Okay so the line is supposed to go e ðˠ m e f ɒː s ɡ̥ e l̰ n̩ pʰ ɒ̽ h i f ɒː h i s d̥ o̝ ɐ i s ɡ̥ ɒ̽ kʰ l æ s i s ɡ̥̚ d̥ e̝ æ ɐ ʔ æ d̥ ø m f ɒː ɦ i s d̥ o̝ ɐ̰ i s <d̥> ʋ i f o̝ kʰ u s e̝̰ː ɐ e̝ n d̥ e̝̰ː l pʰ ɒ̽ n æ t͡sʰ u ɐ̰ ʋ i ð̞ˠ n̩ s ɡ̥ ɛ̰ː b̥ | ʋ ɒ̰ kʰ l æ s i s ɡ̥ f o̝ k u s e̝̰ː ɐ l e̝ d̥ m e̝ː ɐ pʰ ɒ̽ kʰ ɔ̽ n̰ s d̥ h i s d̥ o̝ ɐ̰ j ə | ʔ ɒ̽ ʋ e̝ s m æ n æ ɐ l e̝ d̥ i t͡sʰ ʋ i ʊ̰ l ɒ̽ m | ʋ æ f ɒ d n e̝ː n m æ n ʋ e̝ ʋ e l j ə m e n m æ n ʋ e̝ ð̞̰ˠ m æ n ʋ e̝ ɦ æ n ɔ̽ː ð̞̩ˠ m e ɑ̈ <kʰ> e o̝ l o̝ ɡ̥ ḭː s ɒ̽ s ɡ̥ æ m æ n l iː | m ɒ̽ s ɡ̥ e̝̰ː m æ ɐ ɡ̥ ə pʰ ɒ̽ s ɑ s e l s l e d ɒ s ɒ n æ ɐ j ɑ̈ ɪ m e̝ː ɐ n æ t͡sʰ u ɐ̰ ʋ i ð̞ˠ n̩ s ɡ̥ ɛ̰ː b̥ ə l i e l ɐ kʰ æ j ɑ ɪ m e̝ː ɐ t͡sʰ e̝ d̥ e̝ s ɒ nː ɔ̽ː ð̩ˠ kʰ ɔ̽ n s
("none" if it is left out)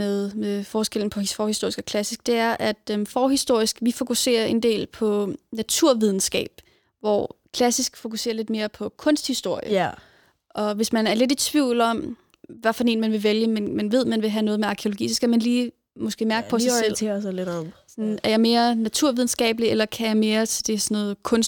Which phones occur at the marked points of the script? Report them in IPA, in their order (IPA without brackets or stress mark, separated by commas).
ɡ̥, kʰ